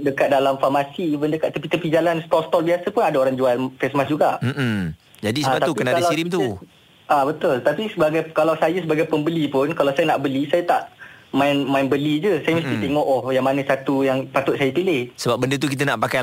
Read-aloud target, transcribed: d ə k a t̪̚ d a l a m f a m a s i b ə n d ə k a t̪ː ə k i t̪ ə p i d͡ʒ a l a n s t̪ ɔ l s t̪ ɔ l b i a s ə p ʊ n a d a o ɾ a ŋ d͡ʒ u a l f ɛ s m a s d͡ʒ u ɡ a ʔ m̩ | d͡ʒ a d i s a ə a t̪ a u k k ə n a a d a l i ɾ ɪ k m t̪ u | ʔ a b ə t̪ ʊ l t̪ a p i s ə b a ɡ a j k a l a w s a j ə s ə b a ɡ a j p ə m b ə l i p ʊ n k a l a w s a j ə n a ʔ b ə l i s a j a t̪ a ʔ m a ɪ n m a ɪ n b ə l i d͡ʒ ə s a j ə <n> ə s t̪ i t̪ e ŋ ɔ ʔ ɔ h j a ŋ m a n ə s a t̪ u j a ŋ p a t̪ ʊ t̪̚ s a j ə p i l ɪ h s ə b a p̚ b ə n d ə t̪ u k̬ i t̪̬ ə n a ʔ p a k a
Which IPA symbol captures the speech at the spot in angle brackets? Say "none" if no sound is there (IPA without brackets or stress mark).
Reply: m